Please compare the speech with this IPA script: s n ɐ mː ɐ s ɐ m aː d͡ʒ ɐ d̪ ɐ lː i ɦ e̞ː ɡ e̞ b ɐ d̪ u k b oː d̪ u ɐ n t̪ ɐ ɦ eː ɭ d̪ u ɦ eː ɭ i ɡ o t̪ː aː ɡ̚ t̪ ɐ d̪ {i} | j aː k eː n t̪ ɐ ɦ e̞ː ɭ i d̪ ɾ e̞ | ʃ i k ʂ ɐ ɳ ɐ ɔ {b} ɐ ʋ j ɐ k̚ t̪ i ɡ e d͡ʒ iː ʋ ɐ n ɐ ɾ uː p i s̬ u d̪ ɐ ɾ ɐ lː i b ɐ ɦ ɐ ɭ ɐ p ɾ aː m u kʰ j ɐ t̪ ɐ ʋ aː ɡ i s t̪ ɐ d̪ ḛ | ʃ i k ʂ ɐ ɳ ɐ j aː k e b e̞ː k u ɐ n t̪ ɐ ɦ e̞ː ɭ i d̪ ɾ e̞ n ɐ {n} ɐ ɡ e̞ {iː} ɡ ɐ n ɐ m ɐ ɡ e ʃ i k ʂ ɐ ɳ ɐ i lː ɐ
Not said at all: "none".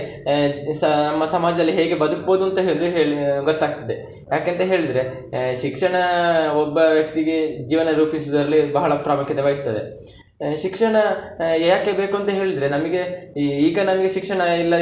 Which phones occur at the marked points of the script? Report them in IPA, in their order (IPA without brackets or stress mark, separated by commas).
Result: e, bː, m, iː